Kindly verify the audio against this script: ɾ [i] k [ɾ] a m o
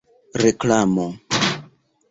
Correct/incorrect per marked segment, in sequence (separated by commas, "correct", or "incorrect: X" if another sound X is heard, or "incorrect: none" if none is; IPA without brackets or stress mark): incorrect: e, incorrect: l